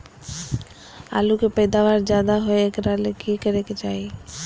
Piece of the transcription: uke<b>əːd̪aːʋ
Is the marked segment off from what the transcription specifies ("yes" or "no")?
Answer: yes